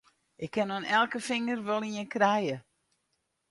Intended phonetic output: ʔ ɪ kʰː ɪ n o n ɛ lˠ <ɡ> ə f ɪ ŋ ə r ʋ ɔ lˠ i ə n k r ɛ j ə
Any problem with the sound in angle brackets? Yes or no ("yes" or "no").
yes